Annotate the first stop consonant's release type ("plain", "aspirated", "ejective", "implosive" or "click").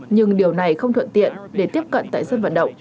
implosive